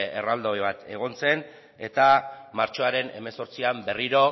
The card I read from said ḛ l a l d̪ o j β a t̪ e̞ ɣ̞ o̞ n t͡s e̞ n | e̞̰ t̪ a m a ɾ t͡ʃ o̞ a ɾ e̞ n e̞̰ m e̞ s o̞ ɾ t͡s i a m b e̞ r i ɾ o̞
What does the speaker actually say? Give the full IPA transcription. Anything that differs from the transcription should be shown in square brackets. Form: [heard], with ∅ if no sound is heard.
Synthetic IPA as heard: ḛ [r] a l d̪ o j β a t̪ e̞ ɣ̞ o̞ n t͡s e̞ n | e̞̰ t̪ a m a ɾ t͡ʃ o̞ a ɾ e̞ n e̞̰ m e̞ s o̞ ɾ t͡s i a m b e̞ r i ɾ o̞